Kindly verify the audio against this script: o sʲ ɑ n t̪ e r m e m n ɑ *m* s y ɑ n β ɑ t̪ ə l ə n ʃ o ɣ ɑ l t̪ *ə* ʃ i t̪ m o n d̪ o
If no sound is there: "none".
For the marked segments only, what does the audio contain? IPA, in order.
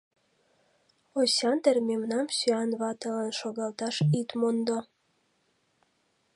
m, ɑ

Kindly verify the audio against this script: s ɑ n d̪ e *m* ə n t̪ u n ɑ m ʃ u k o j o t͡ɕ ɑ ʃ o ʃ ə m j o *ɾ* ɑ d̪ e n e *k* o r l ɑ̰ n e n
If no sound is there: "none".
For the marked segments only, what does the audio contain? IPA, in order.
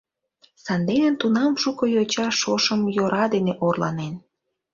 n, ɾ, ʔ

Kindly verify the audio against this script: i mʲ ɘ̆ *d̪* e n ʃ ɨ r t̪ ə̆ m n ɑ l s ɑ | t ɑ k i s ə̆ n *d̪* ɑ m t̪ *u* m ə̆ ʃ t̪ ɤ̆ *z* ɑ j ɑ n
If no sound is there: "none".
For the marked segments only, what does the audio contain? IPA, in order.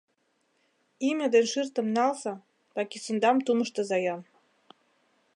d̪, d̪, u, z

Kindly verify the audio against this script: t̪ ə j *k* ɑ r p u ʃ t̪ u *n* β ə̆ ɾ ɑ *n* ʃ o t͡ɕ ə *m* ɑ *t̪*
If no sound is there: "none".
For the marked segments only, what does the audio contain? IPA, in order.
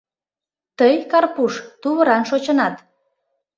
k, none, n, n, t̪

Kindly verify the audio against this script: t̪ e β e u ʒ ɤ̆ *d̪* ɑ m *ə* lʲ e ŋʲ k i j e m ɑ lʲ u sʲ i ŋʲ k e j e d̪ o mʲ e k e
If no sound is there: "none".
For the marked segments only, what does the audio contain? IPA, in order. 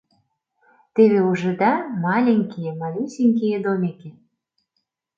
d̪, ɑ

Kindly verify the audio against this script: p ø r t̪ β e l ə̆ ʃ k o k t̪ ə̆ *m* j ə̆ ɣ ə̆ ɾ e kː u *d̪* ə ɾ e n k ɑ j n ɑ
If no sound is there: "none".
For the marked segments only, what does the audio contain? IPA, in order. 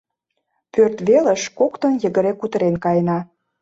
n, t̪

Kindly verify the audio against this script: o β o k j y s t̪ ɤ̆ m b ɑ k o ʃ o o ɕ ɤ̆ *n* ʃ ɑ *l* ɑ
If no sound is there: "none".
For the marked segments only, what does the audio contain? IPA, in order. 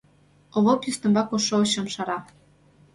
m, ɾ

